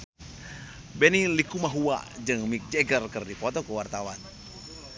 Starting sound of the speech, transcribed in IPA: b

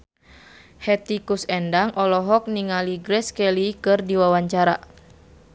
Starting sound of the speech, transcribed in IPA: h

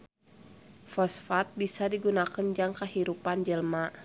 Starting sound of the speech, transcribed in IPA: f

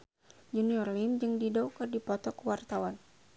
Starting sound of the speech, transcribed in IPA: d͡ʒ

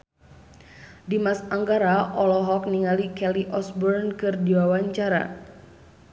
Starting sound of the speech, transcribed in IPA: d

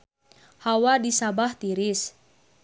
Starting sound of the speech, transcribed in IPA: h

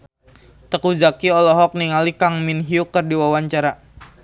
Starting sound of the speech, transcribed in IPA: t̪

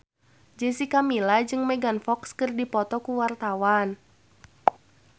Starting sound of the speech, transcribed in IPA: d͡ʒ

